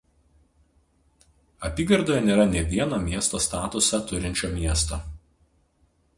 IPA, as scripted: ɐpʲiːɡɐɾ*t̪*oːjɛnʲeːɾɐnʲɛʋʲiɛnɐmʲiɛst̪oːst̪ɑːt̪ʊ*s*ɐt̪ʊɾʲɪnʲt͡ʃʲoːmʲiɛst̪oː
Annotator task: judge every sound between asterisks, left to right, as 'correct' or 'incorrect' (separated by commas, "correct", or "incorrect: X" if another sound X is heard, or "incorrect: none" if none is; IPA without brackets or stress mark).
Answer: incorrect: d̪, correct